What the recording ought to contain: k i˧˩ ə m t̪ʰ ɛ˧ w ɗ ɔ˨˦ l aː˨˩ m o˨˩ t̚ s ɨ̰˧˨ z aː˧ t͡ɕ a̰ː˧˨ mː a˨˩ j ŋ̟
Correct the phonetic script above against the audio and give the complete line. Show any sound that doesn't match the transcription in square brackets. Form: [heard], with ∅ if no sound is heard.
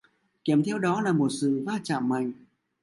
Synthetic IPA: k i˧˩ ə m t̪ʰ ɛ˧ w ɗ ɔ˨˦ l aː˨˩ m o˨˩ t̚ s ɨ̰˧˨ [v] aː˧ t͡ɕ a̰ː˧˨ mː a˨˩ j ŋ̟

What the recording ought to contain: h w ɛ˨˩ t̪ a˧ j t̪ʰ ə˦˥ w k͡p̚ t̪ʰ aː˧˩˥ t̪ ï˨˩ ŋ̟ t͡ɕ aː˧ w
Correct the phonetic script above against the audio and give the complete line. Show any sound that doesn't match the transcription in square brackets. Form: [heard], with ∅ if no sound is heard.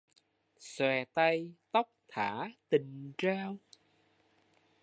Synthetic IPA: [s] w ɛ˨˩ t̪ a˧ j [t̪] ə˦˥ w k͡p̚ t̪ʰ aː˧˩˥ t̪ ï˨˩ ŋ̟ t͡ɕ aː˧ w

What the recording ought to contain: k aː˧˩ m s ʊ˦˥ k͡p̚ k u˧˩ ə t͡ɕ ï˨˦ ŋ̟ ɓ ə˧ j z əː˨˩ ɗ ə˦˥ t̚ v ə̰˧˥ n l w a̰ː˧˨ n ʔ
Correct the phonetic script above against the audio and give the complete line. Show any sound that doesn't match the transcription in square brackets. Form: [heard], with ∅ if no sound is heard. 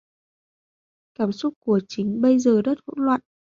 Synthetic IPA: k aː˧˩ m s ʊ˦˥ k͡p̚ k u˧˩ ə t͡ɕ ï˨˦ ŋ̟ ɓ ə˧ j z əː˨˩ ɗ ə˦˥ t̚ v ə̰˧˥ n l w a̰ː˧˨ n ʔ

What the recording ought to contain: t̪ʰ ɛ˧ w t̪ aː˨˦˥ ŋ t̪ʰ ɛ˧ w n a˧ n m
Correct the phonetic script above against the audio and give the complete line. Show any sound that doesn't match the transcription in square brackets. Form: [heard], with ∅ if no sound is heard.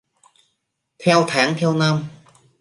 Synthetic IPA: t̪ʰ ɛ˧ w [t̪ʰ] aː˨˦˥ ŋ t̪ʰ ɛ˧ w n a˧ [∅] m

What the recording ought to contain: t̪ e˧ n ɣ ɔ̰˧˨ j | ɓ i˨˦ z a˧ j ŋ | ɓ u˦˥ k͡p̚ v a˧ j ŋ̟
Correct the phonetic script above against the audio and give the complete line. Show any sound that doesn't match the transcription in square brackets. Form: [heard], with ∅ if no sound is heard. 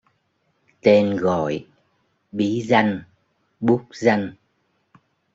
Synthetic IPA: t̪ e˧ n ɣ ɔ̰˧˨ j | ɓ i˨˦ z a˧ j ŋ | ɓ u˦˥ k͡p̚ [z] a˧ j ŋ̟

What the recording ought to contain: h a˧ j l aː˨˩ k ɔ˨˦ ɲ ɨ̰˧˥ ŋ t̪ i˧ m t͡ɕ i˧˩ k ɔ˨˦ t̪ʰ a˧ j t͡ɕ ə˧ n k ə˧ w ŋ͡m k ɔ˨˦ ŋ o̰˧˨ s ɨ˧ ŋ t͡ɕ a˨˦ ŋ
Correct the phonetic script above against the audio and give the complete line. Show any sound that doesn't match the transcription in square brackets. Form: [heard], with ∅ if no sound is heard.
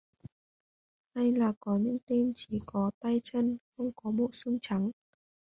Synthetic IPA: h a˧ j l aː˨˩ k ɔ˨˦ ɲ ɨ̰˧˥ ŋ t̪ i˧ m t͡ɕ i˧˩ k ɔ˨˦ [t̪] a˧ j t͡ɕ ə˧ n [x] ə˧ w ŋ͡m k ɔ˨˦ [m] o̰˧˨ s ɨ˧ ŋ t͡ɕ a˨˦ ŋ

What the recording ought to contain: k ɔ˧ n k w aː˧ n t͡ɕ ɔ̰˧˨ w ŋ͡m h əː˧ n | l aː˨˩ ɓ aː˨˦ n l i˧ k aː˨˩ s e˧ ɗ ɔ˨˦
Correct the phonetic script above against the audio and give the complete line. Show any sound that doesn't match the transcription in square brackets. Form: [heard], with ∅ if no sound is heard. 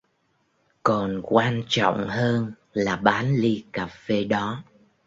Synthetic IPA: k [ɔ˨˩] n k w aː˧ n t͡ɕ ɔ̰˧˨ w ŋ͡m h əː˧ n | l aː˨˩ ɓ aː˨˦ n l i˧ k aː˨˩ [f] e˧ ɗ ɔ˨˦

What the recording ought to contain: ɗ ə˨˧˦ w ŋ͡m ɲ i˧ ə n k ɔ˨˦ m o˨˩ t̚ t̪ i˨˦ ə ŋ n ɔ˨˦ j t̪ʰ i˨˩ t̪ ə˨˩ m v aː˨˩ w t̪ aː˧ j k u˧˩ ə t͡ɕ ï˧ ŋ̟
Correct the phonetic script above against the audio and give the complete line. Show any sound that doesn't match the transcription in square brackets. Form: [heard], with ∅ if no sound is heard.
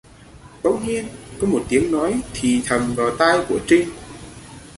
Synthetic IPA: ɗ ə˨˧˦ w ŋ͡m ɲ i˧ ə n k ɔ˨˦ m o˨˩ t̚ t̪ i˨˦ ə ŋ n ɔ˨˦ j t̪ʰ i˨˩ [t̪ʰ] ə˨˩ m v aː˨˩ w t̪ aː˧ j k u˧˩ ə t͡ɕ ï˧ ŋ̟

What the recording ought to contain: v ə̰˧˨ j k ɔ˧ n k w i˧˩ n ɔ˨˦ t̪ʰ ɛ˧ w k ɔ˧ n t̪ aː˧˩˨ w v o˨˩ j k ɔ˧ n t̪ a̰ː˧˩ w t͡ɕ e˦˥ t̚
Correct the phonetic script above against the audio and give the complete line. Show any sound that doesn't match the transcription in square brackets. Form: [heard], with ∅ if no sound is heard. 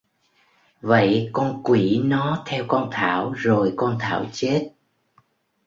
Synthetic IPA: v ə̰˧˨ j k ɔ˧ n k w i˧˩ n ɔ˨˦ t̪ʰ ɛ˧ w k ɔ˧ n [t̪ʰ] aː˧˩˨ w [z] o˨˩ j k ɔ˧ n [t̪ʰ] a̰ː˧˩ w t͡ɕ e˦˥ t̚

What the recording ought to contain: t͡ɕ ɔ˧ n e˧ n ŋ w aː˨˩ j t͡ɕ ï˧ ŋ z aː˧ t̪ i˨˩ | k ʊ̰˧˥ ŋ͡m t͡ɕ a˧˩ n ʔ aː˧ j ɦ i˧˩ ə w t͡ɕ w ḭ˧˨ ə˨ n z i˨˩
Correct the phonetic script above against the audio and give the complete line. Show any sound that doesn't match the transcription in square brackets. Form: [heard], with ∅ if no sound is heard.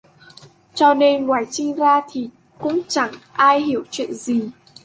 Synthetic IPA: t͡ɕ ɔ˧ n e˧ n ŋ w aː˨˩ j t͡ɕ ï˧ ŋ z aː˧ [t̪ʰ] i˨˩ | k ʊ̰˧˥ ŋ͡m t͡ɕ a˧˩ [ŋ] ʔ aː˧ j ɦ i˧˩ ə w t͡ɕ w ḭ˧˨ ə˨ n z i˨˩

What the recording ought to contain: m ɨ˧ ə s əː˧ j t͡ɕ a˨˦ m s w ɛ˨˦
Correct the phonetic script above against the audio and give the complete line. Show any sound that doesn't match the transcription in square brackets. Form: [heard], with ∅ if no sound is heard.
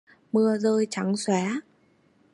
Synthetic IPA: m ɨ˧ ə [z] əː˧ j t͡ɕ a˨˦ [ŋ] s w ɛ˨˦

